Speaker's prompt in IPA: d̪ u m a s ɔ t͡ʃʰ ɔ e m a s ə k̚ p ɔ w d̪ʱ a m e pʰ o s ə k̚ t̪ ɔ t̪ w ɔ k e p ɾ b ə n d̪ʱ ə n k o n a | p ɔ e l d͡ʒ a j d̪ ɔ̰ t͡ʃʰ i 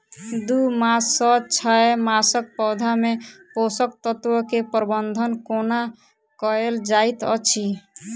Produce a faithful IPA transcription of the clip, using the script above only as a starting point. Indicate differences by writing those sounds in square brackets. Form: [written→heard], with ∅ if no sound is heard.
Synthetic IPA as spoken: d̪ u m a s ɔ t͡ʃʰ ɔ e m a s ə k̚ p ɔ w d̪ʱ a m e [pʰ→p] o s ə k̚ t̪ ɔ t̪ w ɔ k e p ɾ b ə n d̪ʱ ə n k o n a | [p→k] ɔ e l d͡ʒ a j [d̪→t̪] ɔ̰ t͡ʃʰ i

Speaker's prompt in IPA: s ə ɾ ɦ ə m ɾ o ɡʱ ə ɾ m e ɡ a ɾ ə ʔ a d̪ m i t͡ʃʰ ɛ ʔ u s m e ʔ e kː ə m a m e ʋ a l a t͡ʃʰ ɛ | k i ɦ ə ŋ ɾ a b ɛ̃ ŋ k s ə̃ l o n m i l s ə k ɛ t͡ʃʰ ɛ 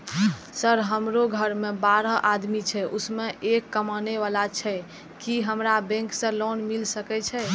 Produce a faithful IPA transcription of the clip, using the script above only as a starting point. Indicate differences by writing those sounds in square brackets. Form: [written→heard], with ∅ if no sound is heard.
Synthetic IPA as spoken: s ə ɾ ɦ ə m ɾ o ɡʱ ə ɾ m e [ɡ→b] a ɾ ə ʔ a d̪ m i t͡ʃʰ ɛ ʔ u s m e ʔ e kː ə m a [m→n] e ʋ a l a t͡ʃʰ ɛ | k i ɦ ə [ŋ→m] ɾ a b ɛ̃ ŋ k s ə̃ l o n m i l s ə k ɛ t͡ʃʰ ɛ

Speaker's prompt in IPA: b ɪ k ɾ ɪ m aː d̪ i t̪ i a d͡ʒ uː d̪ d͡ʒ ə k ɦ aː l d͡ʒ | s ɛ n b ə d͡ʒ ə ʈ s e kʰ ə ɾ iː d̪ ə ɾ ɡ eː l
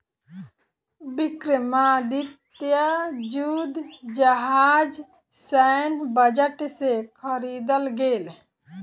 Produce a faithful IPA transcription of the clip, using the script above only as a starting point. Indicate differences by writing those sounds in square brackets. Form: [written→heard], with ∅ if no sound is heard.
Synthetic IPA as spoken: b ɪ k ɾ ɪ m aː d̪ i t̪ [i→j] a d͡ʒ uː d̪ d͡ʒ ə [k→∅] ɦ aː [l→∅] d͡ʒ | s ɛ n b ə d͡ʒ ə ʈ s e kʰ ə ɾ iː d̪ ə [ɾ→l] ɡ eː l

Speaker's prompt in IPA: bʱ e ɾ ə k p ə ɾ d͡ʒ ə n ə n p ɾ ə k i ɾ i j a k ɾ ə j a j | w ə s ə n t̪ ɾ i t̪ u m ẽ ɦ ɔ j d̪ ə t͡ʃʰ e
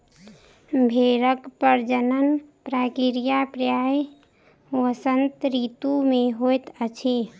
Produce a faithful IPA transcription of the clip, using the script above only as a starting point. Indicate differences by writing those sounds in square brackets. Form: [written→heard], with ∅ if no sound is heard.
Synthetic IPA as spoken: bʱ e ɾ ə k p ə ɾ d͡ʒ ə n ə n p ɾ [ə→a] k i ɾ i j a [k→p] ɾ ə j a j | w ə s ə n t̪ ɾ i t̪ u m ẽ ɦ [ɔ→o] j [d̪→t̪] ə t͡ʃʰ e

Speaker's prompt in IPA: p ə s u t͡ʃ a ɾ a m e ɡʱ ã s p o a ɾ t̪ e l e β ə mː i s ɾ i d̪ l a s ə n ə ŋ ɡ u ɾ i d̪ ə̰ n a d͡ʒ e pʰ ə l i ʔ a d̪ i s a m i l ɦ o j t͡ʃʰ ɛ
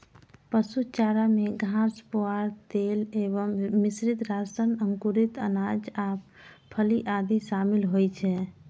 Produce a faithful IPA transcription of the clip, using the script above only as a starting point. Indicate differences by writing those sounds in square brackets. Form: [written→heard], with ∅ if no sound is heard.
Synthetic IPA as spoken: p ə s u t͡ʃ a ɾ a m e ɡʱ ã s p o a ɾ t̪ e l e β ə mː i s ɾ i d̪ [l→ɾ] a s ə n ə ŋ [ɡ→k] u ɾ i [d̪→t̪] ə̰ n a d͡ʒ [e→a] pʰ ə l i ʔ a d̪ i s a m i l ɦ o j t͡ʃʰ ɛ

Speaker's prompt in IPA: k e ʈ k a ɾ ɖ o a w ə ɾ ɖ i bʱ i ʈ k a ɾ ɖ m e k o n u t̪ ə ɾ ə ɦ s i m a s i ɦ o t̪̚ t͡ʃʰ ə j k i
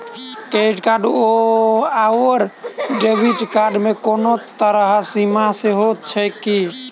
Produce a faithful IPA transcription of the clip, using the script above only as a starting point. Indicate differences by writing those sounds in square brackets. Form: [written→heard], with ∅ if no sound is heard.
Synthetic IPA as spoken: k e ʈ k a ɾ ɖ o a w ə ɾ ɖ [i→e] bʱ i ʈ k a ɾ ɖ m e k o n [u→o] t̪ ə ɾ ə ɦ s i m a s [i→e] ɦ o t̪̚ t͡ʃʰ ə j k i

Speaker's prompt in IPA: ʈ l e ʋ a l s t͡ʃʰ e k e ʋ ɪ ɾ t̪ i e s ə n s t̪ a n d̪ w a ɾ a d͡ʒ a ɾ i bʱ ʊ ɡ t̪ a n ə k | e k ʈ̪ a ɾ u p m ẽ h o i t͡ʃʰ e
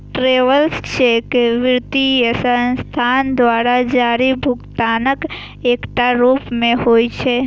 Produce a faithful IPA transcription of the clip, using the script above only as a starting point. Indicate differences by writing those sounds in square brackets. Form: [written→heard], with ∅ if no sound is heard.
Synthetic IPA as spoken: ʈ [l→ɾ] e ʋ [a→ə] l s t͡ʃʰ e k e ʋ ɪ ɾ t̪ i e s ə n s [t̪→t̪ʰ] a n d̪ [w→ʋ] a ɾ a d͡ʒ a ɾ i bʱ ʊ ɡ t̪ a n ə k | e k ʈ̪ a ɾ u p m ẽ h o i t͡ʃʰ e

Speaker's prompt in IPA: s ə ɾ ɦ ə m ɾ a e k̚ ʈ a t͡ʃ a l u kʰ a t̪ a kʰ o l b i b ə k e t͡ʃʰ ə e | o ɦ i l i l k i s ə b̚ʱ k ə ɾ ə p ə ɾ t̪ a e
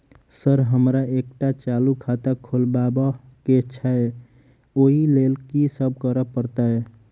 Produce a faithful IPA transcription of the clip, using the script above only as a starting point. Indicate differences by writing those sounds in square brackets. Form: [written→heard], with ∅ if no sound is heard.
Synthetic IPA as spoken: s ə ɾ ɦ ə m ɾ a e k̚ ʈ a t͡ʃ a l u kʰ a t̪ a kʰ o l b [i→a] b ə k e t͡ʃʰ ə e | o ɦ i l [i→e] l k i s ə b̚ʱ k ə ɾ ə p ə ɾ t̪ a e

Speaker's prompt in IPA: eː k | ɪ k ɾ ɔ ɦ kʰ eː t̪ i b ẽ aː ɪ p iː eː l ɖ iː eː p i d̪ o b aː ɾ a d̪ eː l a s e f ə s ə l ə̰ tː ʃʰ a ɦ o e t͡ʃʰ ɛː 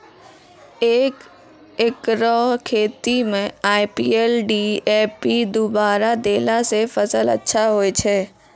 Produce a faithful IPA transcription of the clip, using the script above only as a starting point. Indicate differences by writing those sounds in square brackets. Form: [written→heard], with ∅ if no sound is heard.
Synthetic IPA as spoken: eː k | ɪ k ɾ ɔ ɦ kʰ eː t̪ i [b→m] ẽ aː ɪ p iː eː l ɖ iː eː p i d̪ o b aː ɾ a d̪ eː l a s e f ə s ə l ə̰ tː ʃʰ a ɦ o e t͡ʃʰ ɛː

